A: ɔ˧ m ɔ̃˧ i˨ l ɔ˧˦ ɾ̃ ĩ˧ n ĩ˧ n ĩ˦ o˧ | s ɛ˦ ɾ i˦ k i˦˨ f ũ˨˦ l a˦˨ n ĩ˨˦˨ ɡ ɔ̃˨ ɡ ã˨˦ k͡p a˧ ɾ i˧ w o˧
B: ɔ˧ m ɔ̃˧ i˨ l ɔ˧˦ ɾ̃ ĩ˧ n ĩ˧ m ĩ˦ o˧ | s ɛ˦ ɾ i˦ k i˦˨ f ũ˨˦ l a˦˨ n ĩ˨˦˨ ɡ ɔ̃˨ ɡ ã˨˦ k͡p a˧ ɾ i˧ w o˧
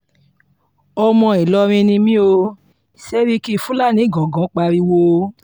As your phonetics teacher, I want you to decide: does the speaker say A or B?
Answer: B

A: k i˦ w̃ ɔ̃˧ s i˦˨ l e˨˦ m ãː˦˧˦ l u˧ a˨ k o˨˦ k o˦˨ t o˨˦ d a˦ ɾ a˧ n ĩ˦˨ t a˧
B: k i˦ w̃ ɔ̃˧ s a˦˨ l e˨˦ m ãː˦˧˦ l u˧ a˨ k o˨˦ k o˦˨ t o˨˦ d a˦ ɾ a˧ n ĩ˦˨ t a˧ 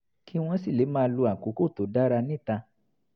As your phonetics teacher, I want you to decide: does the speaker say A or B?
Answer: A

